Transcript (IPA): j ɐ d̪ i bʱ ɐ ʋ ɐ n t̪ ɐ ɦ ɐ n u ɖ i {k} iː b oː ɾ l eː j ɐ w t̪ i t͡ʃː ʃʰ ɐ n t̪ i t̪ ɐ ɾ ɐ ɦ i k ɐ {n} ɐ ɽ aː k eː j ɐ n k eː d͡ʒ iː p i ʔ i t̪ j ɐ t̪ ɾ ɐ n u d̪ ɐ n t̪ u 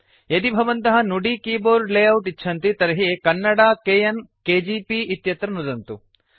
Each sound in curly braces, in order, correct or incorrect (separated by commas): correct, incorrect